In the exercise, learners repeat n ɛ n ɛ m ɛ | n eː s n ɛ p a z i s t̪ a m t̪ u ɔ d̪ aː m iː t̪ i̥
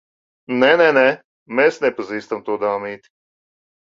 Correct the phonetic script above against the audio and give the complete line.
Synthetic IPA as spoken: n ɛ n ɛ n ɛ | m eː s n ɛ p a z iː s t̪ a m t̪ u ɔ d̪ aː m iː t̪ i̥